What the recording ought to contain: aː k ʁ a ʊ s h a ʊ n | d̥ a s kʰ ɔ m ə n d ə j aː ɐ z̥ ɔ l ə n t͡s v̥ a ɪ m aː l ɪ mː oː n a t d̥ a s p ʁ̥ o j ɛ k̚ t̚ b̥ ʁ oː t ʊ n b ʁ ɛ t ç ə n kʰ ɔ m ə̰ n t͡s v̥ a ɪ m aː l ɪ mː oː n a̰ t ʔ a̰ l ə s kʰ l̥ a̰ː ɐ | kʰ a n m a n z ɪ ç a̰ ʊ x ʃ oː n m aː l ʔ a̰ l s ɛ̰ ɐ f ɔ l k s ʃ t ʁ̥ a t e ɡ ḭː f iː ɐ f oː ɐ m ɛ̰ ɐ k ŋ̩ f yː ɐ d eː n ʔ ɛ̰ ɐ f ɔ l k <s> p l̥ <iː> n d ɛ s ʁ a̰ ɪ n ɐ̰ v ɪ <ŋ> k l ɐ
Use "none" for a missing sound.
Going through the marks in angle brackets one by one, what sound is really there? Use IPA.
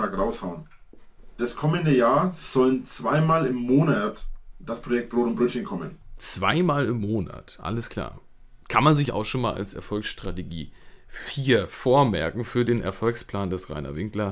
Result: s, aː, ŋ

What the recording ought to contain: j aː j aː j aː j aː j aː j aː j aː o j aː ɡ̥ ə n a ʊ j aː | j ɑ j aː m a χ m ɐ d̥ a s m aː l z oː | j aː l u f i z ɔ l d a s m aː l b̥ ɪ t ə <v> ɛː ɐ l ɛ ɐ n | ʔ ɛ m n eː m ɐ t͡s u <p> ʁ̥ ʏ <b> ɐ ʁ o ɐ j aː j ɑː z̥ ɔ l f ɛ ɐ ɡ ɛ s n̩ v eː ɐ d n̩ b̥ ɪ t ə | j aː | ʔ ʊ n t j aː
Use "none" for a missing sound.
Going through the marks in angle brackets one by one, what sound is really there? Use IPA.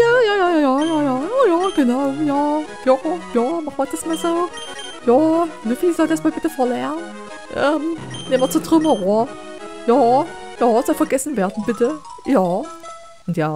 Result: f, t, m

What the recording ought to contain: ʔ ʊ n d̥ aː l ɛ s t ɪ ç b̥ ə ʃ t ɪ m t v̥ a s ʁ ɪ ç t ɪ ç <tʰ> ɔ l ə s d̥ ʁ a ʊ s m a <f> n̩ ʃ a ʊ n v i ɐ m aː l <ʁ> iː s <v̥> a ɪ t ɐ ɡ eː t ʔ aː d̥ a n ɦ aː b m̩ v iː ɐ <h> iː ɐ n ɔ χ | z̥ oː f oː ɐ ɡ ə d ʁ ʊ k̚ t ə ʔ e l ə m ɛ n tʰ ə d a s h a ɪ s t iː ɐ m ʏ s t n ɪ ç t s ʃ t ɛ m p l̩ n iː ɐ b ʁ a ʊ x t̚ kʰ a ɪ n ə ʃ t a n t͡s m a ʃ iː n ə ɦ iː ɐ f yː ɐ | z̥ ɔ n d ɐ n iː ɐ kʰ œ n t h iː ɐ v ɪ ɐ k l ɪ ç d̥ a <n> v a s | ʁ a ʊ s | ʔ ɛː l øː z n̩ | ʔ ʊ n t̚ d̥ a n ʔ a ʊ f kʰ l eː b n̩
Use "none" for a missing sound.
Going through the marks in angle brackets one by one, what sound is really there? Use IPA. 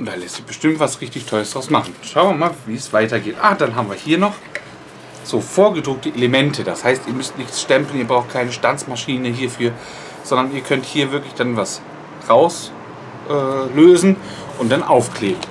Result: tʰ, χ, v, v̥, h, n

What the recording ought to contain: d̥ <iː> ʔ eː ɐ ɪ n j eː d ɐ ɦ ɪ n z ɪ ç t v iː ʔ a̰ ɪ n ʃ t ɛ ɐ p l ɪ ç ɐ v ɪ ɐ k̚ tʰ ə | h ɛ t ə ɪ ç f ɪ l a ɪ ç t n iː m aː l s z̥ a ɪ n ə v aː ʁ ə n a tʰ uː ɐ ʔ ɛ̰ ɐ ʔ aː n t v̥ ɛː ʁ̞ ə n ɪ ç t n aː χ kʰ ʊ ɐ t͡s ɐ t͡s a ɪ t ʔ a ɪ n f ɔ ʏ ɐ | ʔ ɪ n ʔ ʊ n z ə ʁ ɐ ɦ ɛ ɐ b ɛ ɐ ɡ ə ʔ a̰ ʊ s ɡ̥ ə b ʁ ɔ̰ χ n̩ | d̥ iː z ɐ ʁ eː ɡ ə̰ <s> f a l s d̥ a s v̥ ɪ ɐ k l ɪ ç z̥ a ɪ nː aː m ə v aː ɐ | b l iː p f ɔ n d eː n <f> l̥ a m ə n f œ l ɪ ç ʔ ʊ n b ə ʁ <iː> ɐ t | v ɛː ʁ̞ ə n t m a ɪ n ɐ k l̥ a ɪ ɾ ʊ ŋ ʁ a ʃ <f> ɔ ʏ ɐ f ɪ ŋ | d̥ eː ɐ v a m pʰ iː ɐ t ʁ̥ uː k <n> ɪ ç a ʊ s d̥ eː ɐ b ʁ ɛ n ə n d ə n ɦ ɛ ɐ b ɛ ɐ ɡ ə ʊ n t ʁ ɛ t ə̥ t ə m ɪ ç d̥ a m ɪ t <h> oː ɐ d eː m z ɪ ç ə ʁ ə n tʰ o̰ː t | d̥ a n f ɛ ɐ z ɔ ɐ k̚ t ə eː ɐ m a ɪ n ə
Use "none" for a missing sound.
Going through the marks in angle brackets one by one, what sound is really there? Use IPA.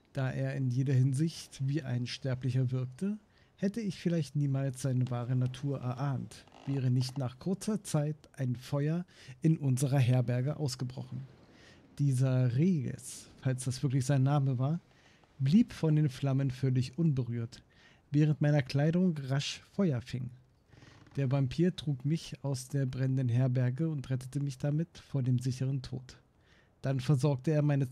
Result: aː, s, f, yː, f, m, f

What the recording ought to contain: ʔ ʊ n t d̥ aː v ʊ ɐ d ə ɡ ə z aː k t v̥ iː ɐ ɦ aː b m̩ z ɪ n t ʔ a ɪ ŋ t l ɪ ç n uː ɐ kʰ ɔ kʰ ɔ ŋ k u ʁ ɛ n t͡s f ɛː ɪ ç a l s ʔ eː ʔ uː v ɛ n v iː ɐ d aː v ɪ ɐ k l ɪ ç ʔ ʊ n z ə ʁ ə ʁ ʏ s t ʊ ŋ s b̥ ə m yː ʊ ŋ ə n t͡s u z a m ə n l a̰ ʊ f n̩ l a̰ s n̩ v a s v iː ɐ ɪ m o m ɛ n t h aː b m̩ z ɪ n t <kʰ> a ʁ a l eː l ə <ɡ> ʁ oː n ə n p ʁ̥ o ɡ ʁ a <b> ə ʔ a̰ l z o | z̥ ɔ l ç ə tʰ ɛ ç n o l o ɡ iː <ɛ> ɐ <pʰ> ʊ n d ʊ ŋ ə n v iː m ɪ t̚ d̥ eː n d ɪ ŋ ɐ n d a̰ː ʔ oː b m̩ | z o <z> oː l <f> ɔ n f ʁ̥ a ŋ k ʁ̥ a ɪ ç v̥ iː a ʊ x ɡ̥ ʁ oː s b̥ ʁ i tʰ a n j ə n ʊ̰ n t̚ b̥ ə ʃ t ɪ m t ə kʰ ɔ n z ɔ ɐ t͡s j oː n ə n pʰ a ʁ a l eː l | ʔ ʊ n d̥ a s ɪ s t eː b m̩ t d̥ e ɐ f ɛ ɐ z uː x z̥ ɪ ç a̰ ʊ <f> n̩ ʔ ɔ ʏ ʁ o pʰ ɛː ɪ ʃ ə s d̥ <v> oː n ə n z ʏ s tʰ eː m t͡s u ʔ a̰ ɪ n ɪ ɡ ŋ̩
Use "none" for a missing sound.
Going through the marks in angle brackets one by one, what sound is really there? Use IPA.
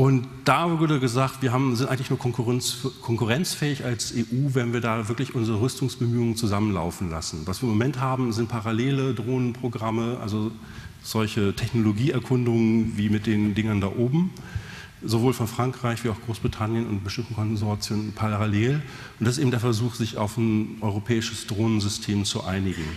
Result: pʰ, d, m, ɛ, kʰ, v, f, f, ʁ

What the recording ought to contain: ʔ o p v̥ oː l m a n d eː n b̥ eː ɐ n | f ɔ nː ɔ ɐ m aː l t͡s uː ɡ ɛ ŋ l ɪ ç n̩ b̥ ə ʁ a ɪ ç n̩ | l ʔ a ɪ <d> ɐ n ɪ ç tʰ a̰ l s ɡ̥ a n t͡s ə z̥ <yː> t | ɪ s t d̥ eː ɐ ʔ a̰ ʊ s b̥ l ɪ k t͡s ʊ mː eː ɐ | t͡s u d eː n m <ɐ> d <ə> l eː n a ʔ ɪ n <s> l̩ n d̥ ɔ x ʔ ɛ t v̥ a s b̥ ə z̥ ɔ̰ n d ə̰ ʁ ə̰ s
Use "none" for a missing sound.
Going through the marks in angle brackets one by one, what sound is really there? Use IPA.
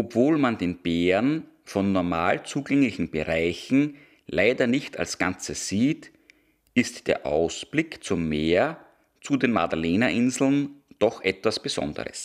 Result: d, iː, a, a, z

